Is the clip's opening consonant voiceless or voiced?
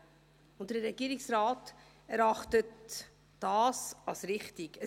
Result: voiced